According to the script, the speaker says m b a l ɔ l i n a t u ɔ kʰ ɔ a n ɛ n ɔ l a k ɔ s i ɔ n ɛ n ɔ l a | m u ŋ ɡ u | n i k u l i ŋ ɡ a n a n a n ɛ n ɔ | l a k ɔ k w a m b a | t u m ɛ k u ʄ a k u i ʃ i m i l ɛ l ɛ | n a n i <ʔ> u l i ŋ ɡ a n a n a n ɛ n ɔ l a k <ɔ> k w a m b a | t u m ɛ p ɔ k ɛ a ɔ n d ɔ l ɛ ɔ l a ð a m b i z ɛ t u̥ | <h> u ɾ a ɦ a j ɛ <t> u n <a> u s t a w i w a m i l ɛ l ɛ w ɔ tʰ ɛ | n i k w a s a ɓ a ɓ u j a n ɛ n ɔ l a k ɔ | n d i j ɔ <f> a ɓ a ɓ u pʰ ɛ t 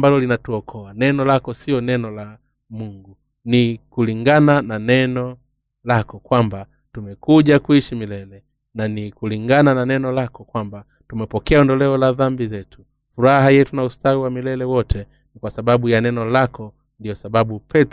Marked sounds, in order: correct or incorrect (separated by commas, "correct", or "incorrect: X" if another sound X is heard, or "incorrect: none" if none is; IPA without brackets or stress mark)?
incorrect: k, correct, incorrect: f, correct, correct, incorrect: s